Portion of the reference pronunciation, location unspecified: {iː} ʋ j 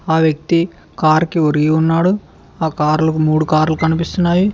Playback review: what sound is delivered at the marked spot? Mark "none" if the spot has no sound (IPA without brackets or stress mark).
aː